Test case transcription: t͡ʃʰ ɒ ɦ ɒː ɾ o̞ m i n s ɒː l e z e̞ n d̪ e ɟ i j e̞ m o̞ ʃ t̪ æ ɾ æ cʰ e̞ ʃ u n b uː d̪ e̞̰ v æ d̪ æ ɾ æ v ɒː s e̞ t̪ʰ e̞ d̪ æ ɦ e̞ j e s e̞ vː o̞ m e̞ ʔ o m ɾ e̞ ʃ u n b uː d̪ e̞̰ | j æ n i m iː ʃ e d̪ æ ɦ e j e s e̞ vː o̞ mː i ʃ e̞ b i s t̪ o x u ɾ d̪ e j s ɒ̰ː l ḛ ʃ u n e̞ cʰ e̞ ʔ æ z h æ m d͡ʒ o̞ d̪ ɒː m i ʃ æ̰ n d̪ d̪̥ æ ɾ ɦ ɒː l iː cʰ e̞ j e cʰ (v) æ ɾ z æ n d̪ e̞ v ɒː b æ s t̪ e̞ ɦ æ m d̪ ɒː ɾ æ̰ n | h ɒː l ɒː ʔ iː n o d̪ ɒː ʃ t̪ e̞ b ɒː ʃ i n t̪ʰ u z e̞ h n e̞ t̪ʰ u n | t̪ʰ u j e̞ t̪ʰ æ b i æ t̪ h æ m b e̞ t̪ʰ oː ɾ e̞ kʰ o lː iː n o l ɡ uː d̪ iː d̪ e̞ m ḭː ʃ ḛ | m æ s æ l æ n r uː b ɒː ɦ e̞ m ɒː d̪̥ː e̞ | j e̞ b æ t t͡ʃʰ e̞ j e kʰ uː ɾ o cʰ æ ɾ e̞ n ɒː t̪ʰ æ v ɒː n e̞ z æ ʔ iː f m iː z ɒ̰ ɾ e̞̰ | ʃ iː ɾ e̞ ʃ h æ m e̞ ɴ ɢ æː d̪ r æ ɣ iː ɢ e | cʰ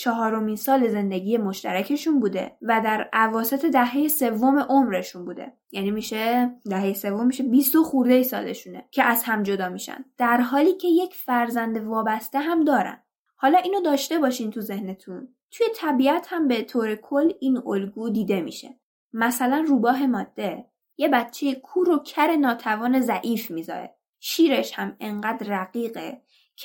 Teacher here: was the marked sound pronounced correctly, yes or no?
no